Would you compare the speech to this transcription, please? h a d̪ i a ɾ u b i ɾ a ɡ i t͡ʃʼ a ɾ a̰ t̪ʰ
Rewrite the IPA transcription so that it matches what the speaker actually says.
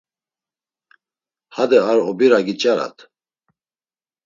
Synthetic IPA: h a d̪ ɛ a ɾ ɔ b i ɾ a ɡ i t͡ʃʼ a ɾ a̰ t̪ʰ